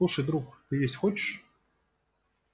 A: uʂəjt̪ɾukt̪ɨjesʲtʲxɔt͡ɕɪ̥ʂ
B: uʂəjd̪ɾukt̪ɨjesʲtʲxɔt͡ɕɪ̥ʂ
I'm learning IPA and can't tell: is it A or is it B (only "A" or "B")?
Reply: B